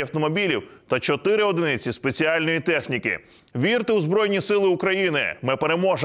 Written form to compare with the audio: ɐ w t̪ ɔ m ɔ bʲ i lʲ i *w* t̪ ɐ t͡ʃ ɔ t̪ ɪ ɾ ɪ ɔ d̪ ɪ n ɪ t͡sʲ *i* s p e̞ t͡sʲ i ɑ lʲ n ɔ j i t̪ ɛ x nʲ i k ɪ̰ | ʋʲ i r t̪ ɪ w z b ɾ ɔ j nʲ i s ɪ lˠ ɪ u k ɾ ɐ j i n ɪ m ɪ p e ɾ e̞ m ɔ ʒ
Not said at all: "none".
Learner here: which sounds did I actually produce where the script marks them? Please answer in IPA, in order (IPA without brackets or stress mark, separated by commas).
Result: w, i